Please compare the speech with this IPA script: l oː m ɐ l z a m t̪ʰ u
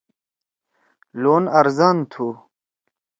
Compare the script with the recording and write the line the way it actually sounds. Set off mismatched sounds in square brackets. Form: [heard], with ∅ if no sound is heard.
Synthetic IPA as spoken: l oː [n] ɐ [ɾ] z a [n] t̪ʰ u